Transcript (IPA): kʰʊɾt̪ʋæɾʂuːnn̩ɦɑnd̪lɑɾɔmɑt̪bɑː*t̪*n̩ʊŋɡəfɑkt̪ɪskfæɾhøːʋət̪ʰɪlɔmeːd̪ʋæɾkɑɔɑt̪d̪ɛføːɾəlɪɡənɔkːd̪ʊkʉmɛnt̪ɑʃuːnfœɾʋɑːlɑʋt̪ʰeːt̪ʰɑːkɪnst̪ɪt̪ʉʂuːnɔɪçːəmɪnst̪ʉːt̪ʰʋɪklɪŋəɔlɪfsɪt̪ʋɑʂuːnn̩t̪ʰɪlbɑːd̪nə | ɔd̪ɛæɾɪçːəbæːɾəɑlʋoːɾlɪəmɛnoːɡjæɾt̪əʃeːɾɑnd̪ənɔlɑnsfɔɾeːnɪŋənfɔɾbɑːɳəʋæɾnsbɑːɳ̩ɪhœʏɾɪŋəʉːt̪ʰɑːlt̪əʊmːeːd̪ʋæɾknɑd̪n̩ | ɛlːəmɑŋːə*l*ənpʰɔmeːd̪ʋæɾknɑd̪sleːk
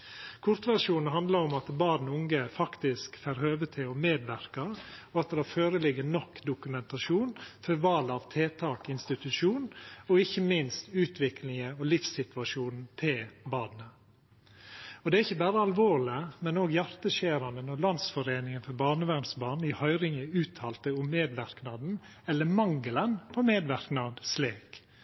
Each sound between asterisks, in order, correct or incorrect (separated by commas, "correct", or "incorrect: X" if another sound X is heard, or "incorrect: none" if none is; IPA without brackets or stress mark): incorrect: d̪, correct